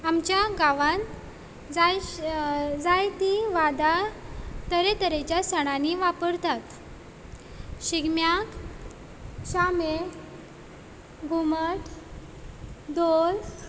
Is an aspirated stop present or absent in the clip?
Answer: absent